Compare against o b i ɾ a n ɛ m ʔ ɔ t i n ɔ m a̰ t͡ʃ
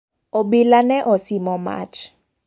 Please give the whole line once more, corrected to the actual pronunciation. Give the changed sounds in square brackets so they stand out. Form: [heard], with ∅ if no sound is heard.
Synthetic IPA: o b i [l] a n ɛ [∅] ʔ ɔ [s] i [m] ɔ m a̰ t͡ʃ